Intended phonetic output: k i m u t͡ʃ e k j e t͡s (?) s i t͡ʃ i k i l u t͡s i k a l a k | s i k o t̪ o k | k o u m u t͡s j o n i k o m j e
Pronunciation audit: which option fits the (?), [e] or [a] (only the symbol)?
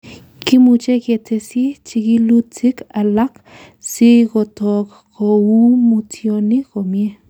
e